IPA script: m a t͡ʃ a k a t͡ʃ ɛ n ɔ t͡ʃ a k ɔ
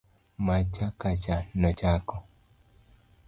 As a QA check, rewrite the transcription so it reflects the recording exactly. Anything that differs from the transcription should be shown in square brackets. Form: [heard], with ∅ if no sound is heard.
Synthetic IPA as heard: m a t͡ʃ a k a t͡ʃ [a] n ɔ t͡ʃ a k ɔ

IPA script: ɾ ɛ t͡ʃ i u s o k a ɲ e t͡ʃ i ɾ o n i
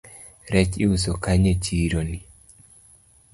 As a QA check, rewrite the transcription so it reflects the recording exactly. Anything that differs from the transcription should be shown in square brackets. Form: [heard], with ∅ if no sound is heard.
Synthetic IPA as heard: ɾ ɛ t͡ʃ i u s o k a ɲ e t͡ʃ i ɾ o n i

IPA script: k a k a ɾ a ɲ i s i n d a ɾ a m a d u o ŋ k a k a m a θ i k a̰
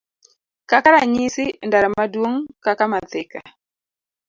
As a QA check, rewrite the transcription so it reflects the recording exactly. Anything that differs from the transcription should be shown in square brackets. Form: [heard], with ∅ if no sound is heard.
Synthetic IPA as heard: k a k a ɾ a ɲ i s i n d a ɾ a m a d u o ŋ k a k a m a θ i k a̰

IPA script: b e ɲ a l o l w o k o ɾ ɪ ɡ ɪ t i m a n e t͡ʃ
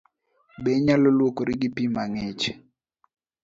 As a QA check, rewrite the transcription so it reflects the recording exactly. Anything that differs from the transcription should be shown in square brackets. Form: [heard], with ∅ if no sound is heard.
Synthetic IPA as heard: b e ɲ a l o l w o k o ɾ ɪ ɡ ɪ [p] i m a [ŋ] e t͡ʃ

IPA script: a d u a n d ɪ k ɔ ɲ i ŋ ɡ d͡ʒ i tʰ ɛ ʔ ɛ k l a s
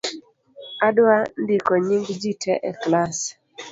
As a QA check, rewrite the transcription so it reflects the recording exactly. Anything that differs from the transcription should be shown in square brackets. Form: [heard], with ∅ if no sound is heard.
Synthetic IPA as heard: a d [w] a n d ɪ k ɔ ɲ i ŋ ɡ d͡ʒ i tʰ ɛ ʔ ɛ k l a s

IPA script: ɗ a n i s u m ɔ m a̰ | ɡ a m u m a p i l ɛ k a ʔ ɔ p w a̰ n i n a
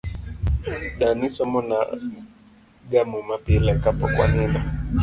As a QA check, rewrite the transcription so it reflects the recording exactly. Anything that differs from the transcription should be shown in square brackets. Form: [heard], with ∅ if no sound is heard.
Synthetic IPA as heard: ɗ a n i s [ɔ] m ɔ [n] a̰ | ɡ a m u m a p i l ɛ k a [p] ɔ [k] w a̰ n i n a

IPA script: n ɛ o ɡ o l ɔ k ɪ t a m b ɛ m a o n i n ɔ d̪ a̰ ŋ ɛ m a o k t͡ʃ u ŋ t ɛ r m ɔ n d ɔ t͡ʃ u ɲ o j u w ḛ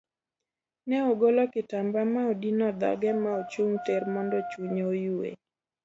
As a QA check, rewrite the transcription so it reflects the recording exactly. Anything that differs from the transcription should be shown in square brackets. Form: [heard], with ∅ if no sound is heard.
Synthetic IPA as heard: n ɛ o ɡ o l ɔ k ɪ t a m b [a] m a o [d] i n ɔ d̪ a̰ [ɡ] ɛ m a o [∅] t͡ʃ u ŋ t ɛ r m ɔ n d ɔ t͡ʃ u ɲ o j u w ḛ

